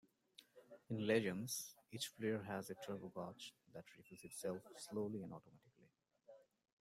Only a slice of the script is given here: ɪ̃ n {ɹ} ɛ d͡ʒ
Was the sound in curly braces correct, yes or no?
no